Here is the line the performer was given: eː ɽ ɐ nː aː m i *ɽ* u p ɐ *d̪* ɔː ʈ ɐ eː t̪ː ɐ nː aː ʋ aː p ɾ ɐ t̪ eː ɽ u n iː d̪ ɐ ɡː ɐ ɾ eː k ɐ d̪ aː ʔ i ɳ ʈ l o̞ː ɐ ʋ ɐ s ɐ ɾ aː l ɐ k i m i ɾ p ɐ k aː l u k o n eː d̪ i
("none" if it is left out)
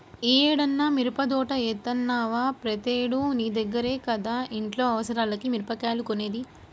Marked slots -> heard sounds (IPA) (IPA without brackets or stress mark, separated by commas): ɾ, d̪